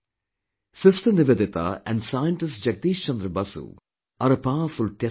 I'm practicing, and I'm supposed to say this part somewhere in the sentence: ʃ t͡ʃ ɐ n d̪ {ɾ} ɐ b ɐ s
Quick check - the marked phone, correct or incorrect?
correct